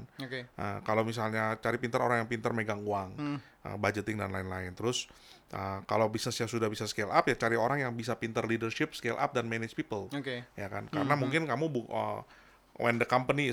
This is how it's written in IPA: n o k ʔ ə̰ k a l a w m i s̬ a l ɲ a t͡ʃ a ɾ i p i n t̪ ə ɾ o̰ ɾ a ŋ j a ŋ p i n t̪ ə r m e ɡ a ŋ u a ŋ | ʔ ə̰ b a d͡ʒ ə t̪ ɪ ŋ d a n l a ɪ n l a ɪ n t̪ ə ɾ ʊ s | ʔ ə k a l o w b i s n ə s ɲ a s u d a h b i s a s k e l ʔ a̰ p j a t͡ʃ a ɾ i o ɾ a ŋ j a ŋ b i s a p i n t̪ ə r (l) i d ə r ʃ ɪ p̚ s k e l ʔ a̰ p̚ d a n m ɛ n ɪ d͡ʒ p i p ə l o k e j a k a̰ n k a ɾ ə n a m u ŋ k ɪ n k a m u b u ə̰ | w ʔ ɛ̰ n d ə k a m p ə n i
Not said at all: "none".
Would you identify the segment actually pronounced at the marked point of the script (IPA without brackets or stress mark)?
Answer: l